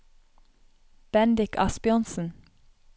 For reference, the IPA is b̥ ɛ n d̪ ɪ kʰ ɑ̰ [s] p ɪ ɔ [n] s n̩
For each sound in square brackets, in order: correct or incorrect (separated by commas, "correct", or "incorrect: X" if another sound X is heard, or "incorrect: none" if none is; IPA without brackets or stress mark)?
correct, correct